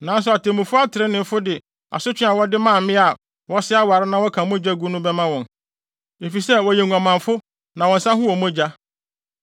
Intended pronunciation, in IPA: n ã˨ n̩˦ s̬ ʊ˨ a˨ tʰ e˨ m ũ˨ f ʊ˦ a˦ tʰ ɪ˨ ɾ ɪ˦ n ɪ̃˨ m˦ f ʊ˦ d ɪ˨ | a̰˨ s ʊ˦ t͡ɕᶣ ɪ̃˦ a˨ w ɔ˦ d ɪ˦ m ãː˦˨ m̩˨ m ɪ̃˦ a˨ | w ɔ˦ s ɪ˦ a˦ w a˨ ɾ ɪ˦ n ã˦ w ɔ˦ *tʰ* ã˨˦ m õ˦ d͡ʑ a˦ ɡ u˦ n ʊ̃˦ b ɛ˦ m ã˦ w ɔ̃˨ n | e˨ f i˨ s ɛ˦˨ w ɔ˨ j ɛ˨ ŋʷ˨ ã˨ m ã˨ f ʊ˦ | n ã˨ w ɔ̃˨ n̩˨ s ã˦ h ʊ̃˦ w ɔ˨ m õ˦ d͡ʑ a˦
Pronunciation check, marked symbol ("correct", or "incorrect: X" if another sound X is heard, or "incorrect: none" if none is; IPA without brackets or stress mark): incorrect: kʰ